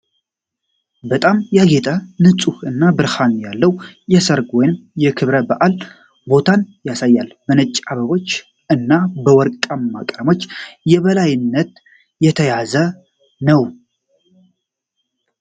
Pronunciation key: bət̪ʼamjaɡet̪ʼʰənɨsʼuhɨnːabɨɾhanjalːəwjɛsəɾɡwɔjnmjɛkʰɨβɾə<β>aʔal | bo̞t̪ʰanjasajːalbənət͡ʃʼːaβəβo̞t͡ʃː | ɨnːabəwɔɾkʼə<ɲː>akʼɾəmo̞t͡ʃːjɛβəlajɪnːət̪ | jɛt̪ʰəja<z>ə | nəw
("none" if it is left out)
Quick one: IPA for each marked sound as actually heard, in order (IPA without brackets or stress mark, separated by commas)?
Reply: b, mː, z